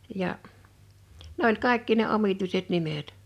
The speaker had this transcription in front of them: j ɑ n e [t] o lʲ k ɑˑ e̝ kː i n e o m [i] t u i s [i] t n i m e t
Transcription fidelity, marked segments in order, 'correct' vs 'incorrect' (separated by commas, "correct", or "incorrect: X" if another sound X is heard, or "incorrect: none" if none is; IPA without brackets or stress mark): incorrect: none, correct, incorrect: e